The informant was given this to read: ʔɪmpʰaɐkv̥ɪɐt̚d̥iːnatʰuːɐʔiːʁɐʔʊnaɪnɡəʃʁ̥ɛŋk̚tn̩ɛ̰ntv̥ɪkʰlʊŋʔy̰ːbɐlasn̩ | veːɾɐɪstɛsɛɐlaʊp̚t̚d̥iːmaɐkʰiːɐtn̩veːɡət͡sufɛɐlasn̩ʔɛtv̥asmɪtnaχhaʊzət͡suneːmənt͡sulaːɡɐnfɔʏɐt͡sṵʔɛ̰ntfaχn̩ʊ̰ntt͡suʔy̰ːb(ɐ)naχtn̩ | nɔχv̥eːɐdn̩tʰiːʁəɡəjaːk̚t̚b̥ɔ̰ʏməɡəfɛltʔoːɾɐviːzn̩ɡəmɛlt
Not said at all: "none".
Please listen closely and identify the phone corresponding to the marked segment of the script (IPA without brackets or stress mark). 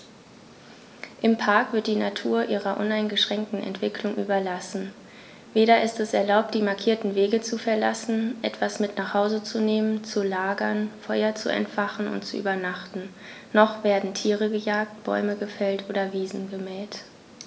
ɐ